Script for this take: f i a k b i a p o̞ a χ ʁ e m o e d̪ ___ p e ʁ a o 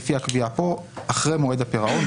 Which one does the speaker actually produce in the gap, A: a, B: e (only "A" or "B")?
A